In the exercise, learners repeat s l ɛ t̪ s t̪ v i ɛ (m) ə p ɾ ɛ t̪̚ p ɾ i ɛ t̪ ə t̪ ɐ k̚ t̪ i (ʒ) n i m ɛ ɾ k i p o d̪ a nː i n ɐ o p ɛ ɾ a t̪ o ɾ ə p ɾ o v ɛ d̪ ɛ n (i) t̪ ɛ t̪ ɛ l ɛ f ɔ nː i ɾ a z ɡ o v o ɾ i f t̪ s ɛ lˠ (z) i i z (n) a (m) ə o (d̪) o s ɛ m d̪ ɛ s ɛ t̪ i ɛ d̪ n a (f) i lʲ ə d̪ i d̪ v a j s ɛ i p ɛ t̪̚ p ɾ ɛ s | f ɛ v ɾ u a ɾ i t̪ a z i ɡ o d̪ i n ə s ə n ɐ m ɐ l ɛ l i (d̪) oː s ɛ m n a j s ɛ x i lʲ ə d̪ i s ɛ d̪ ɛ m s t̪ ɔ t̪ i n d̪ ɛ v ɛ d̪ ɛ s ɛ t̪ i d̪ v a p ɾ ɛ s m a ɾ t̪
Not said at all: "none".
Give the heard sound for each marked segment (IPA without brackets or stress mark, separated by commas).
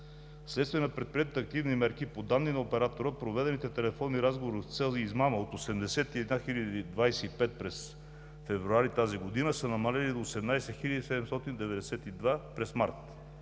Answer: n, v, i, z, m, m, t̪, x, d̪